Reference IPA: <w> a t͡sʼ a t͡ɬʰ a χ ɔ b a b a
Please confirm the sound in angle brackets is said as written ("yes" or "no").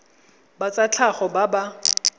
no